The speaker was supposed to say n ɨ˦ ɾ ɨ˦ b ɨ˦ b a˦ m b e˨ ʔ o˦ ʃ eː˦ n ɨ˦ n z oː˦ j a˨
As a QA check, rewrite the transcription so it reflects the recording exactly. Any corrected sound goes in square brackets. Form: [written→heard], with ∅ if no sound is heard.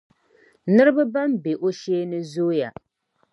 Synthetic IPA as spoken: n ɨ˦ ɾ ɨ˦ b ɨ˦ b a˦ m b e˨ ʔ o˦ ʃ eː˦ n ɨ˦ [n→∅] z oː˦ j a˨